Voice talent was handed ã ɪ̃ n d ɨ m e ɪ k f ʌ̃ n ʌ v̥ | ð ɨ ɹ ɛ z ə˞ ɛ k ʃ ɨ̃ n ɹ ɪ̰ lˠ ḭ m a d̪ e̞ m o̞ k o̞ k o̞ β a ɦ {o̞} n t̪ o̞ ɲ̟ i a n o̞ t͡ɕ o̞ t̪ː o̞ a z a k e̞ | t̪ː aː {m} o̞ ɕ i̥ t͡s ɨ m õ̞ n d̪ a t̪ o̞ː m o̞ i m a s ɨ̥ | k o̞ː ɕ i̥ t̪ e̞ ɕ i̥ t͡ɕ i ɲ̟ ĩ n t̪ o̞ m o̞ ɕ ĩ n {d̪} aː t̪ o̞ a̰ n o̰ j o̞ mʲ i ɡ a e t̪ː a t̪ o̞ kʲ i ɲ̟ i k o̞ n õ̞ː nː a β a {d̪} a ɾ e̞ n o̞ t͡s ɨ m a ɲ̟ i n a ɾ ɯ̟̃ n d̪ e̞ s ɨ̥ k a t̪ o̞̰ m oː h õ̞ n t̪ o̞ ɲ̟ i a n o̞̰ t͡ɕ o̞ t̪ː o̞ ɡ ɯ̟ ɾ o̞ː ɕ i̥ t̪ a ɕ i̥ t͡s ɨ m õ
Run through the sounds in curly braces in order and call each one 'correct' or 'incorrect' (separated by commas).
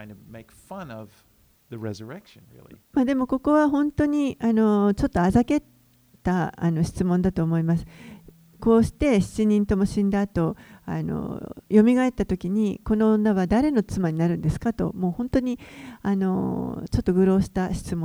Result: incorrect, incorrect, correct, correct